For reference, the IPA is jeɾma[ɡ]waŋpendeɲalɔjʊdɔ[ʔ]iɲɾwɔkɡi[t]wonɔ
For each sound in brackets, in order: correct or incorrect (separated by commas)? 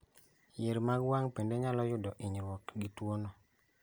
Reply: correct, correct, correct